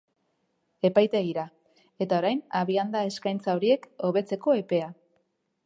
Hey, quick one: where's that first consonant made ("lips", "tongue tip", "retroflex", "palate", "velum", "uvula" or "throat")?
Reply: lips